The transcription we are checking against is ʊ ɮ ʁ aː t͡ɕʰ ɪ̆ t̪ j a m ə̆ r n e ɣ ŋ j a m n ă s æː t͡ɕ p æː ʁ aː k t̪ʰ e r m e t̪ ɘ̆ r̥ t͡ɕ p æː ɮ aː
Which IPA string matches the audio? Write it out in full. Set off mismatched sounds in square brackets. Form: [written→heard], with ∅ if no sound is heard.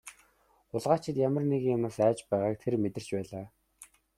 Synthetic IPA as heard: ʊ ɮ ʁ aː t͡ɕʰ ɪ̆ t̪ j a m ə̆ r n e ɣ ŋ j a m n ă s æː t͡ɕ p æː ʁ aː k t̪ʰ e r m e t̪ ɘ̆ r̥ t͡ɕ p æː ɮ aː